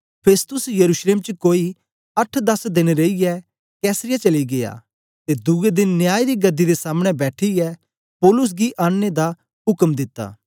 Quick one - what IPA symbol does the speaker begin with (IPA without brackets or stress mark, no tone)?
pʰ